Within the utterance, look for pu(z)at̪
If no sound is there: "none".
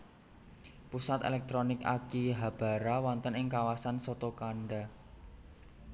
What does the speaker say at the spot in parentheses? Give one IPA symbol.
s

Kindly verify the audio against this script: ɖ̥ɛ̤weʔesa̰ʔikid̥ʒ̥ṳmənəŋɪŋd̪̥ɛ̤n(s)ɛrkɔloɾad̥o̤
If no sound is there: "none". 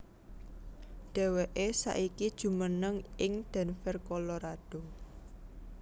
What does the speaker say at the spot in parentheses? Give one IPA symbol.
f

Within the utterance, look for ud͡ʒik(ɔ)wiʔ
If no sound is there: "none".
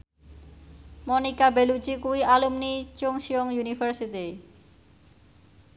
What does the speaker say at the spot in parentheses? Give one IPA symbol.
u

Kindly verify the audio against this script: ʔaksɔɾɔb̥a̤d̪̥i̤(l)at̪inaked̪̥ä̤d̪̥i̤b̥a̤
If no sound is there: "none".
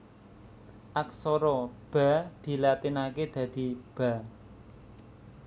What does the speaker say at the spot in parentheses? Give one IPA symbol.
l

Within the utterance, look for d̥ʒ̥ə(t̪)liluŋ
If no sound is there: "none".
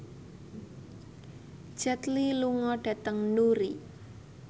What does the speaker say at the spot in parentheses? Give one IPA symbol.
t̪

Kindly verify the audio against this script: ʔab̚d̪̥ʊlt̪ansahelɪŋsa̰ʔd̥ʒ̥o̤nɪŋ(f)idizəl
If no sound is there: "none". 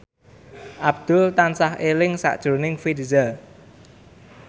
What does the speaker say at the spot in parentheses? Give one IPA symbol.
f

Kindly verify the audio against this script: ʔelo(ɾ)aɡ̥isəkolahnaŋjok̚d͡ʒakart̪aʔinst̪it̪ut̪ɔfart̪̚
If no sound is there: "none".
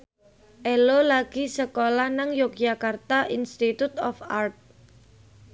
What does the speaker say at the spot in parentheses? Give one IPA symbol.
l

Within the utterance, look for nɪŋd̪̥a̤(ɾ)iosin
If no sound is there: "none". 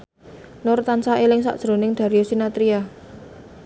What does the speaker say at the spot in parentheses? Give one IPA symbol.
ɾ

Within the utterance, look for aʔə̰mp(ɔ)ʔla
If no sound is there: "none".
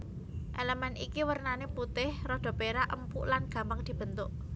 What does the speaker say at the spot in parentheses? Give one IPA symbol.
u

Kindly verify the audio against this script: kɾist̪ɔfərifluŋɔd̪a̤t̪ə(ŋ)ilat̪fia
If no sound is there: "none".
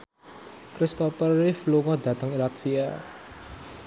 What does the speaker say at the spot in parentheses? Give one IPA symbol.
ŋ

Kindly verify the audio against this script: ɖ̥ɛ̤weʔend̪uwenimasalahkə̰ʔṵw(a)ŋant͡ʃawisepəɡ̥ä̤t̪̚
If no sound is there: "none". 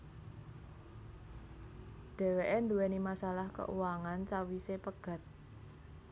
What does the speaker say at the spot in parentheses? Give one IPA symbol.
a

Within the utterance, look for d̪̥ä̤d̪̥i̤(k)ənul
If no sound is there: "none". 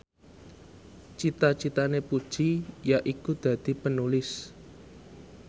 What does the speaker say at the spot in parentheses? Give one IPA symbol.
p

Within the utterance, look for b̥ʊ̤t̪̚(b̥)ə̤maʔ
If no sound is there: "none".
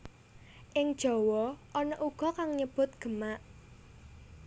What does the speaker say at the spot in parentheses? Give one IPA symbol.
ɡ̥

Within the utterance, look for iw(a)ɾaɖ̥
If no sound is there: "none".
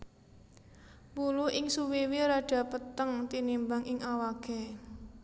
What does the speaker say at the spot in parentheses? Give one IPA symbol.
i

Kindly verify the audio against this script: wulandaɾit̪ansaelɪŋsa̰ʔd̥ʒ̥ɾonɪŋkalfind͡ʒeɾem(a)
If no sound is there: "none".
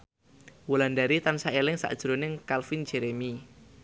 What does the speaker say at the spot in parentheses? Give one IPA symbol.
i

